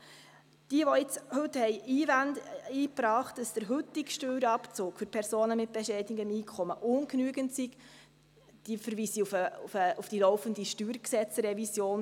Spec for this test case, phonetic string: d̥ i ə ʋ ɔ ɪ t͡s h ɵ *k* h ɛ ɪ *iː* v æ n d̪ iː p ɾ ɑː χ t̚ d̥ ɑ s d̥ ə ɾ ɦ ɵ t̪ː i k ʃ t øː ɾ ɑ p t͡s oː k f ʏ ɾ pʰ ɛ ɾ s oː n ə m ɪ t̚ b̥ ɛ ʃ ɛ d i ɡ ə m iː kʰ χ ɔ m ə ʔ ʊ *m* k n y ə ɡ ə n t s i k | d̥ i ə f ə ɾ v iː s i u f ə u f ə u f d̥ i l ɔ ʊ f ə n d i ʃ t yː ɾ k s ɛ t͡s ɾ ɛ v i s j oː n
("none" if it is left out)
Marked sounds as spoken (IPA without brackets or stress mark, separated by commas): t, iː, n